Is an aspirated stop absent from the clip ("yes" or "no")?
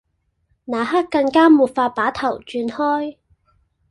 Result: no